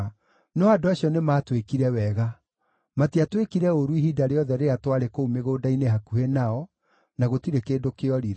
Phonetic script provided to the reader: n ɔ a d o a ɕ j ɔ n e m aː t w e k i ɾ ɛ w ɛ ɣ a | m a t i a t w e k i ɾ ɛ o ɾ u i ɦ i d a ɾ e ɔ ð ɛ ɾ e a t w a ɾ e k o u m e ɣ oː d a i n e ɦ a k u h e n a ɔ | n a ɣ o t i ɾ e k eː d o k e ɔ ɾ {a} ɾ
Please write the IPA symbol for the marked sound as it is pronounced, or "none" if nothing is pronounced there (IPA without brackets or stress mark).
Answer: i